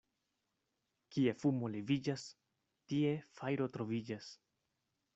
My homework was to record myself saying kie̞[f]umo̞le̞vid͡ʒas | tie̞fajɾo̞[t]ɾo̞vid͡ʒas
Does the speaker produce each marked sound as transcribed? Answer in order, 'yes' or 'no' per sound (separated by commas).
yes, yes